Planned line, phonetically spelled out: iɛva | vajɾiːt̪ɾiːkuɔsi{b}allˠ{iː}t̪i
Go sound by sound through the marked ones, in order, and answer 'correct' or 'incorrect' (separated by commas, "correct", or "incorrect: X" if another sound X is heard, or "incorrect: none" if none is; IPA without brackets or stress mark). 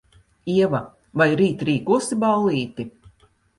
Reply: correct, correct